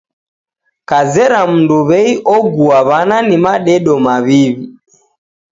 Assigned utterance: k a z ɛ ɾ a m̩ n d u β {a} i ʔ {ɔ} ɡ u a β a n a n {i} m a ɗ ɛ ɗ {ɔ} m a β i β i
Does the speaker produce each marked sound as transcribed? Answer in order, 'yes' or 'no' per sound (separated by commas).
no, yes, yes, yes